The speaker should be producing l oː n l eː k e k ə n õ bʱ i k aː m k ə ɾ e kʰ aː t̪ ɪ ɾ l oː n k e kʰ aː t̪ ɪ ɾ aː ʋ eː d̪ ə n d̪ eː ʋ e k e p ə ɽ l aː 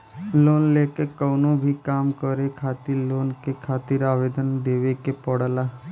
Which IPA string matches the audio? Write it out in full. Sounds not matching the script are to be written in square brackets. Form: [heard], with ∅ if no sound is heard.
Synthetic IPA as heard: l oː n l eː k e k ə n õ bʱ i k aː m k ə ɾ e kʰ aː t̪ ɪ ɾ l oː n k e kʰ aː t̪ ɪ ɾ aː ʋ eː d̪ ə n d̪ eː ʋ e k e p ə ɽ l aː

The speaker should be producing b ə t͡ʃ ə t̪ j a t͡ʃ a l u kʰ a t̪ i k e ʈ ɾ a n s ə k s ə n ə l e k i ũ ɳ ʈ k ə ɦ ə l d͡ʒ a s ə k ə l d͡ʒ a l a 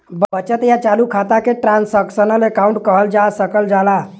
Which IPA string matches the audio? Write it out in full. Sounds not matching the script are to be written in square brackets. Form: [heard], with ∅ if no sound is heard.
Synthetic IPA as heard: b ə t͡ʃ ə t̪ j a t͡ʃ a l u kʰ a t̪ [a] k e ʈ ɾ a n s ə k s ə n ə l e k [a] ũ ɳ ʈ k ə ɦ ə l d͡ʒ a s ə k ə l d͡ʒ a l a

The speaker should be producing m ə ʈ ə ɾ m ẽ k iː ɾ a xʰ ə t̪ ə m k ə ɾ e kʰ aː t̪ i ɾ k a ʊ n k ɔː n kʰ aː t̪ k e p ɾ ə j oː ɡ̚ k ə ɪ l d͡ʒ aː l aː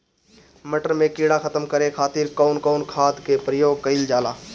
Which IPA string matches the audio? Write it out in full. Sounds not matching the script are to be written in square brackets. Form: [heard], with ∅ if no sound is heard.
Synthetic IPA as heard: m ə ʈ ə ɾ m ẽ k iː [ɽ] a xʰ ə t̪ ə m k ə ɾ e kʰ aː t̪ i ɾ k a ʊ n k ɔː n kʰ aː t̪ k e p ɾ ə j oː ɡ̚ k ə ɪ l d͡ʒ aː l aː

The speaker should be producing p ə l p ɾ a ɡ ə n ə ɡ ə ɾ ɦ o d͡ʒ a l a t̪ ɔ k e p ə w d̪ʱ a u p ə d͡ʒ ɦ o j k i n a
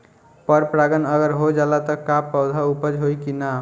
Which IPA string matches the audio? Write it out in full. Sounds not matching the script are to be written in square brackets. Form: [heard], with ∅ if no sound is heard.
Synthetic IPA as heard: p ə [ɾ] p ɾ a ɡ ə n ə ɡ ə ɾ ɦ o d͡ʒ a l a t̪ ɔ k [a] p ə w d̪ʱ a u p ə d͡ʒ ɦ o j k i n a

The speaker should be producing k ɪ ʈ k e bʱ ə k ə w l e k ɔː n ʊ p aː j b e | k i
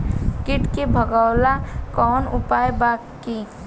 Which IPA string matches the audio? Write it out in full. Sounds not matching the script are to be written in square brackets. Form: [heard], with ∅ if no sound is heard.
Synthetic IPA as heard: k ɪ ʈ k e bʱ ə [ɡ] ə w l [a] k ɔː n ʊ p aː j b [a] | k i

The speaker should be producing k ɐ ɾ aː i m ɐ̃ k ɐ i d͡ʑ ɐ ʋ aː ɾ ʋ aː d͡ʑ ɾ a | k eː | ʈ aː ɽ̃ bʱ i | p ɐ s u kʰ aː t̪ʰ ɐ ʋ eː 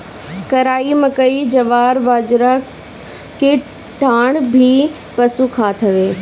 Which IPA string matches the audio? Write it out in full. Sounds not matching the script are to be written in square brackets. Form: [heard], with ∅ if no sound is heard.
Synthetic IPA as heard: k ɐ ɾ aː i m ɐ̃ k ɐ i d͡ʑ ɐ ʋ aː ɾ ʋ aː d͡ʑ ɾ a | k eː | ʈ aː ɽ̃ bʱ i | p ɐ s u kʰ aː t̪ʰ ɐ ʋ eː

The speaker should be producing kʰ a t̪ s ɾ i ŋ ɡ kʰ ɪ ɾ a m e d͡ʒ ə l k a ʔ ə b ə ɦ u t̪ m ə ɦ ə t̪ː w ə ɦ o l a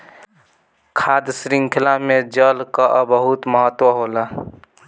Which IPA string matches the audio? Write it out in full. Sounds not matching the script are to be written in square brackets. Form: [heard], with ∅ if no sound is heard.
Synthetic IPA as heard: kʰ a [d̪] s ɾ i ŋ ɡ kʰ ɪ [l] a m e d͡ʒ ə l k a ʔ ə b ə ɦ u t̪ m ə ɦ ə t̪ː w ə ɦ o l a

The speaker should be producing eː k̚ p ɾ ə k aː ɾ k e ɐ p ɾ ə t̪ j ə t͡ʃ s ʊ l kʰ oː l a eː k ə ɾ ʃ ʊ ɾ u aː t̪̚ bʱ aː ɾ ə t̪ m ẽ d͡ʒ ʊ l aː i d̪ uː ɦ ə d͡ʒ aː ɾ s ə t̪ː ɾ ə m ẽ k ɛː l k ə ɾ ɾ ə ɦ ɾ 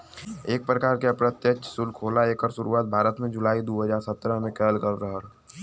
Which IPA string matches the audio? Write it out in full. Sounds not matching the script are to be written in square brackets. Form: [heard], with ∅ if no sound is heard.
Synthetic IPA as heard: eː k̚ p ɾ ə k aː ɾ k e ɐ p ɾ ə t̪ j ə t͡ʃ s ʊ l kʰ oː l a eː k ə ɾ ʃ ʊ ɾ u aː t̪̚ bʱ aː ɾ ə t̪ m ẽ d͡ʒ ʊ l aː i d̪ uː ɦ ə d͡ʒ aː ɾ s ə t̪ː ɾ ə m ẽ k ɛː l k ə ɾ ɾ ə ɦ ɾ

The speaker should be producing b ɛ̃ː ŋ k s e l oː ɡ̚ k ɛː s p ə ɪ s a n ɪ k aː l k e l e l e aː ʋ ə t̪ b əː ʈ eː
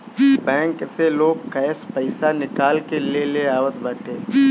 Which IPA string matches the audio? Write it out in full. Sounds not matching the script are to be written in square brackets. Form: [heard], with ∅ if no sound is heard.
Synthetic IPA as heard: b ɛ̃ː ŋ k s e l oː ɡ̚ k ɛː s p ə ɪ s a n ɪ k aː l k e l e l e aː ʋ ə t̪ b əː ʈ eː

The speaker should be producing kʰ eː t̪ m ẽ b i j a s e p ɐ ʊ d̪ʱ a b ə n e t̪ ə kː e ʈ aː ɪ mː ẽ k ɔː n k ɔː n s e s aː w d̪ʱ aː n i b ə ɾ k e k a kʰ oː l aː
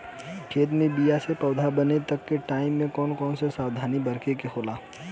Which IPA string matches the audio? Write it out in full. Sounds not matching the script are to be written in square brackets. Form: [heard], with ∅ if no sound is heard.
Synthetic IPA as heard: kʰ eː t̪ m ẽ b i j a s e p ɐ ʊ d̪ʱ a b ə n e t̪ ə kː e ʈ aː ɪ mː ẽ k ɔː n k ɔː n s e s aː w d̪ʱ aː n i b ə ɾ k e k [e] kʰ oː l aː

